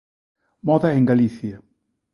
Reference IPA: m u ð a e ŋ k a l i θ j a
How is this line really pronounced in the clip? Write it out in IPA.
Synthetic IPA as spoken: m ɔ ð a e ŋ ɡ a l i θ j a